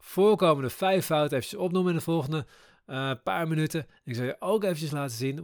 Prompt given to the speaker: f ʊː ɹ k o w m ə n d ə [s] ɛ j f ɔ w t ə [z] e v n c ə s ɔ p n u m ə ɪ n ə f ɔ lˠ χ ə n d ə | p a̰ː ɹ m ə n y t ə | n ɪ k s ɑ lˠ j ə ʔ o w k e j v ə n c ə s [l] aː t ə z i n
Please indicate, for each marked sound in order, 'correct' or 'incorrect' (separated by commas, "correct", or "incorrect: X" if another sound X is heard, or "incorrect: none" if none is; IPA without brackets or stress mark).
incorrect: f, incorrect: none, correct